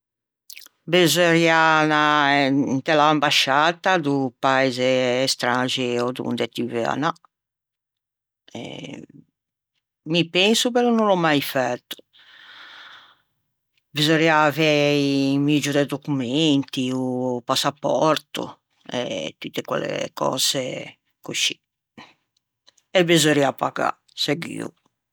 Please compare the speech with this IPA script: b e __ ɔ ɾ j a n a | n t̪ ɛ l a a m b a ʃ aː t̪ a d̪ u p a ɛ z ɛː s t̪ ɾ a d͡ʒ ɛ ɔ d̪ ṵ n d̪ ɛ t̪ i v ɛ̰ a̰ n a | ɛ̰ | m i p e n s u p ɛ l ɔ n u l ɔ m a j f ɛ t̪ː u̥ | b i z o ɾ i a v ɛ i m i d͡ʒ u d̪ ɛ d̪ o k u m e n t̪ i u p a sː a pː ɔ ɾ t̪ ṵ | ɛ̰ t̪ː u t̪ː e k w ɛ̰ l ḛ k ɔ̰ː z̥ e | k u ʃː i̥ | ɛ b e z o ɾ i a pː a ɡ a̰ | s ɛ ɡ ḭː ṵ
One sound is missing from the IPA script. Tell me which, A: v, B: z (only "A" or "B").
B